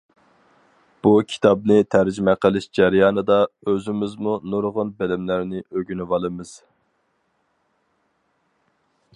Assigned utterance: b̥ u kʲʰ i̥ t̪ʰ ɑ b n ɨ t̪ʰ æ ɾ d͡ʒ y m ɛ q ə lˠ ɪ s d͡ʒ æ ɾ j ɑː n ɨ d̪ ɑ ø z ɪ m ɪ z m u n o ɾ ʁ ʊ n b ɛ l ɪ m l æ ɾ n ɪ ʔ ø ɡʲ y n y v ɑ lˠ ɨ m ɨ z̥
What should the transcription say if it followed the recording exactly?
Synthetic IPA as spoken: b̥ u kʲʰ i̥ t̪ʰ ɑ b n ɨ t̪ʰ æ ɾ d͡ʒ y m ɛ q ə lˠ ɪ ʃ d͡ʒ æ ɾ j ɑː n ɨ d̪ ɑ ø z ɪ m ɪ z m u n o ɾ ʁ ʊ n b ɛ l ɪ m l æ ɾ n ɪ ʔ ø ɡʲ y n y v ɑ lˠ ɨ m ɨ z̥

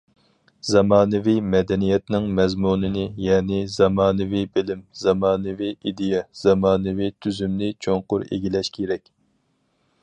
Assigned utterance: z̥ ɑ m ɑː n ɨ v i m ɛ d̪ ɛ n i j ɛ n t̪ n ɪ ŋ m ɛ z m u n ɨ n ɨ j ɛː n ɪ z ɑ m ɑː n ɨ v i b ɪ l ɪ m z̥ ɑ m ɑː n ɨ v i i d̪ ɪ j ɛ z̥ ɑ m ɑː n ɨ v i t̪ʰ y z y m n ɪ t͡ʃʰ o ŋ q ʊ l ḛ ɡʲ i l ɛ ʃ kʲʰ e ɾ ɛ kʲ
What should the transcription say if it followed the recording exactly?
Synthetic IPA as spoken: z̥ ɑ m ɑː n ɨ v i m ɛ d̪ ɛ n i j ɛ t̪ n ɪ ŋ m ɛ z m u n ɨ n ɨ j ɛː n ɪ z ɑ m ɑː n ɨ v i b ɪ l ɪ m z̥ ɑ m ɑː n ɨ v i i d̪ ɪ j ɛ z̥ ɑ m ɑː n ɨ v i t̪ʰ y z y m n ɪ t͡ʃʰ o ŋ q ʊ ɾ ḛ ɡʲ i l ɛ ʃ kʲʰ e ɾ ɛ kʲ

